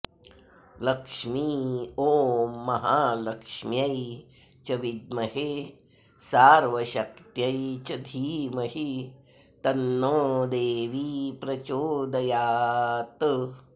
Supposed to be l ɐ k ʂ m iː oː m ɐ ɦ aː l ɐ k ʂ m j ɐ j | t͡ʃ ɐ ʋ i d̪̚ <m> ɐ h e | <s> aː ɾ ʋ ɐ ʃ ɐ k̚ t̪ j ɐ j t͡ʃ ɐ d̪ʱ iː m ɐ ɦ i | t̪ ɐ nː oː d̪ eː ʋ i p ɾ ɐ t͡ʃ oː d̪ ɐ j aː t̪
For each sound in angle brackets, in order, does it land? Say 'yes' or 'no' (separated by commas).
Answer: yes, yes